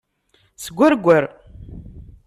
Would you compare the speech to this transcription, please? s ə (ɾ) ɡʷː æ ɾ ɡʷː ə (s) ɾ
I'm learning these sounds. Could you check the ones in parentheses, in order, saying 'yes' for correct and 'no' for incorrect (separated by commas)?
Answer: no, no